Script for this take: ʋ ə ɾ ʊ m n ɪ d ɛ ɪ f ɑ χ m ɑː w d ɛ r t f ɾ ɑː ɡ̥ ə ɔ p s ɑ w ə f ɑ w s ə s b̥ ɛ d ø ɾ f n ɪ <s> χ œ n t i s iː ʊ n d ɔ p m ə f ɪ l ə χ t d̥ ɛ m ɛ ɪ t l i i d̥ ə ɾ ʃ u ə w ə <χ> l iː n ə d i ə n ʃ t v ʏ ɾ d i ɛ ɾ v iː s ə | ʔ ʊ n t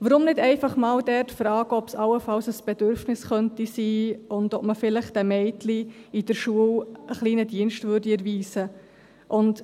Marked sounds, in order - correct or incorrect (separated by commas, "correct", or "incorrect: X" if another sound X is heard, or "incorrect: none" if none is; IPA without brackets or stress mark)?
correct, correct